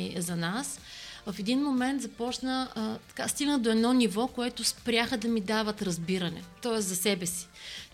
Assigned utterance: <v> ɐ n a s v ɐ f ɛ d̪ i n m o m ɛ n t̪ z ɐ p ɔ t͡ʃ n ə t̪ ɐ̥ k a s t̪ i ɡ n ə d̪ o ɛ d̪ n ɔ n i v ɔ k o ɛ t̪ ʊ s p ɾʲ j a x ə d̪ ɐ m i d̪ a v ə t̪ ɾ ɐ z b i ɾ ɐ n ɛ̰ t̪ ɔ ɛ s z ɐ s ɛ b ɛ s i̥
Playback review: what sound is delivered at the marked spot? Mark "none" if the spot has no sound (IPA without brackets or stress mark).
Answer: z